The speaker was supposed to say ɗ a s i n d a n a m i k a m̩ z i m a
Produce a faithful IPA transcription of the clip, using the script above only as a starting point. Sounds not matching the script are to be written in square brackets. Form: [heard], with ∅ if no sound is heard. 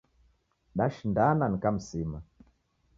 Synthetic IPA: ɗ a [ʃ] i n d a n a [n] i k a m̩ [s] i m a